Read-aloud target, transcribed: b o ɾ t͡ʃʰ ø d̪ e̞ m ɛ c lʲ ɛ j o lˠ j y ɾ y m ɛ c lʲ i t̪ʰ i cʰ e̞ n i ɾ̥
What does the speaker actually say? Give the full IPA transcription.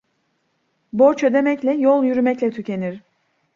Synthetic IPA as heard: b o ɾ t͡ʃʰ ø d̪ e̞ m ɛ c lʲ ɛ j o lˠ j y ɾ y m ɛ c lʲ ɛ t̪ʰ y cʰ e̞ n i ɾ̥